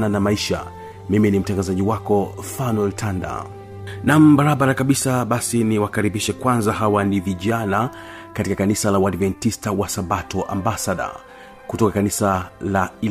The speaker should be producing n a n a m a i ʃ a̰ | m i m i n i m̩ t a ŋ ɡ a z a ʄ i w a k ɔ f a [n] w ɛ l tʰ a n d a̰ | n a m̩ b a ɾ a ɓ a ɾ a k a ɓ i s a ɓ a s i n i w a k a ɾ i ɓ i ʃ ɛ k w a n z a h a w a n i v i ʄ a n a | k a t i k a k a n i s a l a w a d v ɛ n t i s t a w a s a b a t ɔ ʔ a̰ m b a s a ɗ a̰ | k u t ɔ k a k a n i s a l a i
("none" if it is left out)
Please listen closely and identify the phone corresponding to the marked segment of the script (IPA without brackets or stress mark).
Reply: n